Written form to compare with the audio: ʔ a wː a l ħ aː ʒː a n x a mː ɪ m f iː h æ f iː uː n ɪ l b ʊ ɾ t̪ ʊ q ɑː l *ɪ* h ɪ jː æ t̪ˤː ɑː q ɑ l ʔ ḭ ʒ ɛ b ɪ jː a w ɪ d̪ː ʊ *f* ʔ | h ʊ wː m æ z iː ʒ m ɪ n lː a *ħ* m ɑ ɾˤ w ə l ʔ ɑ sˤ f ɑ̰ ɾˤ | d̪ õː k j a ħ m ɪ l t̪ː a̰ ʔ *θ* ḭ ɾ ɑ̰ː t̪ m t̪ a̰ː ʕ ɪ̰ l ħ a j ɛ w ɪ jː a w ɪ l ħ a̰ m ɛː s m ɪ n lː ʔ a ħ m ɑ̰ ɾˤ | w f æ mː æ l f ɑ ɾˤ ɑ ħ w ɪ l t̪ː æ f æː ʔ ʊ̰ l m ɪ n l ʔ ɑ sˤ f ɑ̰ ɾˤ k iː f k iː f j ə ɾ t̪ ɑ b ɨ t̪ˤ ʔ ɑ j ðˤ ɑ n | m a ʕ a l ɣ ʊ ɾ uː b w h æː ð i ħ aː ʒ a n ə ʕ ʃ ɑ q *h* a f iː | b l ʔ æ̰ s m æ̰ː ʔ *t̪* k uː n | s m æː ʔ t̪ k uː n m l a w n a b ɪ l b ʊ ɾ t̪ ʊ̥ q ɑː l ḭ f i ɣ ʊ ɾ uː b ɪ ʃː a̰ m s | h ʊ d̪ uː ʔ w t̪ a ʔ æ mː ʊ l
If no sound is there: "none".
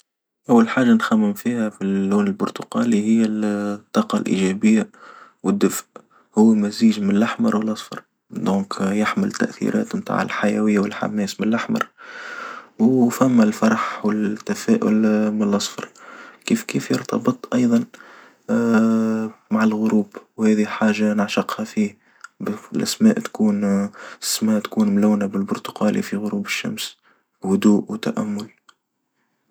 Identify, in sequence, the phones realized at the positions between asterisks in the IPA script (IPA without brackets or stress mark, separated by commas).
i, f, ħ, θ, h, t̪